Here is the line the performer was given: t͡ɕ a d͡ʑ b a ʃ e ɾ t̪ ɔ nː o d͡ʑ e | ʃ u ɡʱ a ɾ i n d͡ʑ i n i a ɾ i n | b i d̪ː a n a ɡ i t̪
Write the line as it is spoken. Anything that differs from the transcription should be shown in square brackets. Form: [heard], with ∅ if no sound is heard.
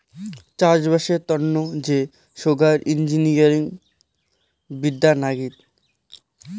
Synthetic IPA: t͡ɕ a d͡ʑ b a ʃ e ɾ t̪ ɔ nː o d͡ʑ e | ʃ [o] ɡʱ a ɾ i n d͡ʑ i n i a ɾ i [ŋ] | b i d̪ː a n a ɡ i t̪